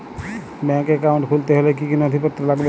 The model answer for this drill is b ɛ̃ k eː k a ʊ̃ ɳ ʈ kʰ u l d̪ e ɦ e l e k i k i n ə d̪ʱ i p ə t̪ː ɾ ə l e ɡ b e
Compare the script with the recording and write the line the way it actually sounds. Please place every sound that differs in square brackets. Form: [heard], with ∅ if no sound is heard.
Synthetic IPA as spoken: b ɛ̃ k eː k a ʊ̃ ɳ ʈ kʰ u l [t̪] e ɦ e l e k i k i n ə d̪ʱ i p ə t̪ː ɾ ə l [a] ɡ b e